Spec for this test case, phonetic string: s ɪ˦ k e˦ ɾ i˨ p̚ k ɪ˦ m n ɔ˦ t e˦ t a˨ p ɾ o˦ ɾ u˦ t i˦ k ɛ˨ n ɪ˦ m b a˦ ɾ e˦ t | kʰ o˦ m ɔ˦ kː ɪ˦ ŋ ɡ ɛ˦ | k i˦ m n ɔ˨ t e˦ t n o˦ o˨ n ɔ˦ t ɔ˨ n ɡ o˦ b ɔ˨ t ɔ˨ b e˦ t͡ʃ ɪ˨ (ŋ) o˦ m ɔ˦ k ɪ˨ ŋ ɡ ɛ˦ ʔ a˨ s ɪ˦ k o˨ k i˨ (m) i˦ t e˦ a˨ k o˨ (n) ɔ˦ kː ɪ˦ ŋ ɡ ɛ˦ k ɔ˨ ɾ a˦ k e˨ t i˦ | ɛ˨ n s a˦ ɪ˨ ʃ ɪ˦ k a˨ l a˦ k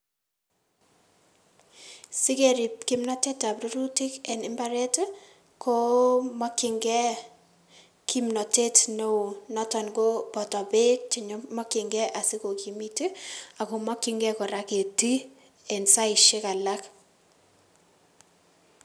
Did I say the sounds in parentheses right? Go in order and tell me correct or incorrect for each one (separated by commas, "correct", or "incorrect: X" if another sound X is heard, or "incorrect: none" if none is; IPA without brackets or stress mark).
incorrect: ɲ, correct, incorrect: m